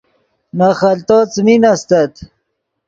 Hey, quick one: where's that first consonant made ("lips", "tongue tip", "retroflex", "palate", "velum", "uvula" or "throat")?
tongue tip